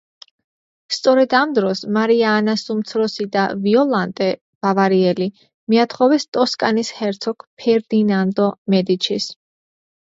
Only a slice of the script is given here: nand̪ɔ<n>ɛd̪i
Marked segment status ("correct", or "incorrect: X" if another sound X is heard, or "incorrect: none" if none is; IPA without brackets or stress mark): incorrect: m